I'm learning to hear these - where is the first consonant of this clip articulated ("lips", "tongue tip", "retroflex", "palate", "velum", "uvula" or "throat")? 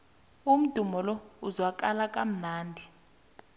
lips